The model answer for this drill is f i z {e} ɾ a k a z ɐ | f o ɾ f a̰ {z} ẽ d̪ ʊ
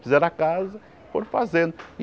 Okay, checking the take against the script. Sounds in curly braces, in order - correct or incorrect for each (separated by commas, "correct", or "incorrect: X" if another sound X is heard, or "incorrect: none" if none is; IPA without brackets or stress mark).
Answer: incorrect: ɛ, correct